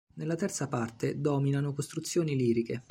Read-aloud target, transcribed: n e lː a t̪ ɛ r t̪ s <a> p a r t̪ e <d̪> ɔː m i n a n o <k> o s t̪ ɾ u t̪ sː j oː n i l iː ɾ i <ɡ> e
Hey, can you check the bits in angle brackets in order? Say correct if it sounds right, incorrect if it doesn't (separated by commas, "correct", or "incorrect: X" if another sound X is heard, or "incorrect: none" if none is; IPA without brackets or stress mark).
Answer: correct, correct, correct, incorrect: k